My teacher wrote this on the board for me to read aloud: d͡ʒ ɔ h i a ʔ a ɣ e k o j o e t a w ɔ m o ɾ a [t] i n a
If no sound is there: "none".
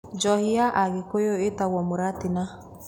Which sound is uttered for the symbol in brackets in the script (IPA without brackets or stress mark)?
t